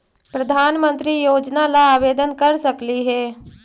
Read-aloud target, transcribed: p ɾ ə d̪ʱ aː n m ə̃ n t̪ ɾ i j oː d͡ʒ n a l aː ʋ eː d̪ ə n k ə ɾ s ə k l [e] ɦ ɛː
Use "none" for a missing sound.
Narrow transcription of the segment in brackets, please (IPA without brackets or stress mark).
i